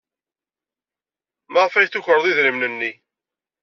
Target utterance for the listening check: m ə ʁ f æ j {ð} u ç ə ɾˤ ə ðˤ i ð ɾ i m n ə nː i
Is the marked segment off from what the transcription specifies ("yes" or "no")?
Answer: yes